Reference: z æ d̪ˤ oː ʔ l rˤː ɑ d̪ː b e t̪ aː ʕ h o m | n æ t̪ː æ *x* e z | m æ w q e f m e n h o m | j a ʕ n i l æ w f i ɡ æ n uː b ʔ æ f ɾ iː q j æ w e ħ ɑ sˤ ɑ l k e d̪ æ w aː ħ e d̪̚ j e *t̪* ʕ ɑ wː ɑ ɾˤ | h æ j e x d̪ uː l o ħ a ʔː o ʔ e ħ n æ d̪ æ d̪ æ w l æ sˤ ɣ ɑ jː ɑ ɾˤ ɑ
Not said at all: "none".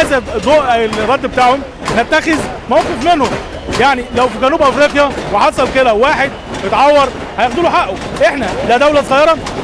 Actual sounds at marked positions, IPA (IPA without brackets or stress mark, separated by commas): x, t̪